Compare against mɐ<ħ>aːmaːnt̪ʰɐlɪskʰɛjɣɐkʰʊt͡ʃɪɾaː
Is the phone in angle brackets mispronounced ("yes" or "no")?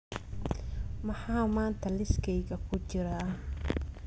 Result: no